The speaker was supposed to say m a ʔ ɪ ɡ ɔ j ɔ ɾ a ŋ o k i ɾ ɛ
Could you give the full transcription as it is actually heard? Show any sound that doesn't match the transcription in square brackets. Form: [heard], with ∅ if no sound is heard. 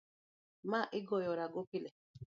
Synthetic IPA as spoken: m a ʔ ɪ ɡ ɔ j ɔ ɾ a [ɡ] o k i [l] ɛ